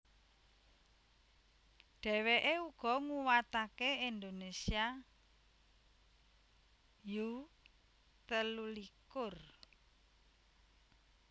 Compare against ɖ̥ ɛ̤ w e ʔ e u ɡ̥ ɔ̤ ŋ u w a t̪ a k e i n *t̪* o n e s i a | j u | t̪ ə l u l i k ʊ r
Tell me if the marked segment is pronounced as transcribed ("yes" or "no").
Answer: no